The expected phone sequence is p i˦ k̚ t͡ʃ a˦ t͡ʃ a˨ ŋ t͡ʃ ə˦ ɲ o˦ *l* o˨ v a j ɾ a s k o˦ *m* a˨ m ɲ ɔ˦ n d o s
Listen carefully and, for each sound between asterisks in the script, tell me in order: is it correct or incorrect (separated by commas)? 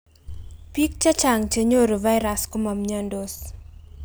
incorrect, correct